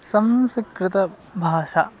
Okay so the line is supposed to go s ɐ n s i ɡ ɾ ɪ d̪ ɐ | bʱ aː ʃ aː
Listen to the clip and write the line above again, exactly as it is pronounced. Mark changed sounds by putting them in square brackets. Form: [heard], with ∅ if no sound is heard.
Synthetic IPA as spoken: s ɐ [m] s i [k] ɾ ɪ [t̪] ɐ | bʱ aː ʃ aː